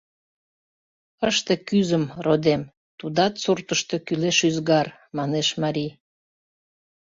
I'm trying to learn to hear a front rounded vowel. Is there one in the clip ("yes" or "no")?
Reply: yes